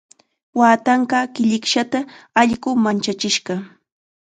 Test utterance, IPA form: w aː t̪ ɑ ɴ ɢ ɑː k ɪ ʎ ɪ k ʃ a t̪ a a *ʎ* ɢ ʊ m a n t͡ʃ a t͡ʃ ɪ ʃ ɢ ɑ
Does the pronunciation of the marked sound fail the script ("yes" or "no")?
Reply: no